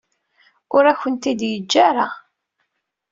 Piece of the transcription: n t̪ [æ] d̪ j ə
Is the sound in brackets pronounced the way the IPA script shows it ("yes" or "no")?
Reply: no